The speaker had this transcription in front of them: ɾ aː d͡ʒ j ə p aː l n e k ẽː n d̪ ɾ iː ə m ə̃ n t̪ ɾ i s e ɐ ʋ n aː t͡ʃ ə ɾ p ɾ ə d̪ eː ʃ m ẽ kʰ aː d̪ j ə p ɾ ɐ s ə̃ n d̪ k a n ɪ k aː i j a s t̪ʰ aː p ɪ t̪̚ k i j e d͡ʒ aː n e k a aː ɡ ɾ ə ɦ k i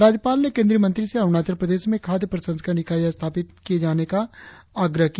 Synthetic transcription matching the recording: ɾ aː d͡ʒ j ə p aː l n e k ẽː n d̪ ɾ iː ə m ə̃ n t̪ ɾ i s e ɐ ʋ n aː t͡ʃ ə ɾ p ɾ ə d̪ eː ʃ m ẽ kʰ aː d̪ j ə p ɾ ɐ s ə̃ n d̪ k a n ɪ k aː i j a s t̪ʰ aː p ɪ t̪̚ k i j e d͡ʒ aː n e k a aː ɡ ɾ ə ɦ k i